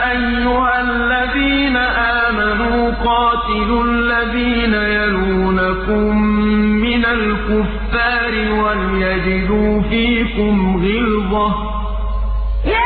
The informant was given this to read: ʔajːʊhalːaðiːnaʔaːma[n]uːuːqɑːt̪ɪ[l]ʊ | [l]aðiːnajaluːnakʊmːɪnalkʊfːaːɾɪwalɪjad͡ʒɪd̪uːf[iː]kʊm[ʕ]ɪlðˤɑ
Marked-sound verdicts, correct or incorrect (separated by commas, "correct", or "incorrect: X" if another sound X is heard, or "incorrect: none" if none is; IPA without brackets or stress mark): correct, correct, incorrect: lː, correct, incorrect: ɣ